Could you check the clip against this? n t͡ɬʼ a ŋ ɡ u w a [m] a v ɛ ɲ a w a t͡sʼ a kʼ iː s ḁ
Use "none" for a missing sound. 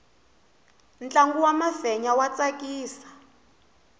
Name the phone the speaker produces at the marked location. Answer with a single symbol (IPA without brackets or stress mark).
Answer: m